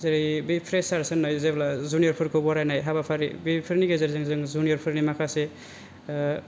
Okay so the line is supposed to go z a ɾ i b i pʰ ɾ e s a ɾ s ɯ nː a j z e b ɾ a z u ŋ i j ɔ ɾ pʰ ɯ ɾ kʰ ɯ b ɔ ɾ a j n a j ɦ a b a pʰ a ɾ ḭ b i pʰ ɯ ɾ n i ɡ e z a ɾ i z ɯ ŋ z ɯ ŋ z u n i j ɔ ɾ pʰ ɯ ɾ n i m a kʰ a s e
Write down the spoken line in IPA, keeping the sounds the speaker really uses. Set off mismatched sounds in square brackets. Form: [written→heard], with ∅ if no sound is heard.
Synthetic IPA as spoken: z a ɾ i b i pʰ ɾ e s a ɾ s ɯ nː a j z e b [ɾ→l] a z u [ŋ→n] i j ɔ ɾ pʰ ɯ ɾ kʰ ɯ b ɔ ɾ a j n a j ɦ a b a pʰ a ɾ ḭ b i pʰ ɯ ɾ n i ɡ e z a ɾ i z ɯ ŋ z ɯ ŋ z u n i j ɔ ɾ pʰ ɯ ɾ n i m a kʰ a s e